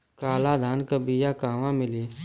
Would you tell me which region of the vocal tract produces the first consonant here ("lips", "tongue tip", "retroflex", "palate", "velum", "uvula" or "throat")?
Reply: velum